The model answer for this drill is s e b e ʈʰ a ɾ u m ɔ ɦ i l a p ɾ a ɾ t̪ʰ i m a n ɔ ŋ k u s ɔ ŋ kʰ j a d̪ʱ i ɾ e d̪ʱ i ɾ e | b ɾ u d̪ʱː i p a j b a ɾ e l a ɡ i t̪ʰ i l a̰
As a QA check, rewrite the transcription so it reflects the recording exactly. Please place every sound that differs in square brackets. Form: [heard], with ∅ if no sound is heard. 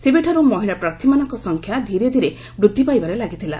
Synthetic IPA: s e b e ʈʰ a ɾ u m ɔ ɦ i [ɭ] a p ɾ a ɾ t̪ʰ i m a n ɔ ŋ k [ɔ] s ɔ ŋ kʰ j a d̪ʱ i ɾ e d̪ʱ i ɾ e | b ɾ u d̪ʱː i p a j b a ɾ e l a ɡ i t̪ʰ i l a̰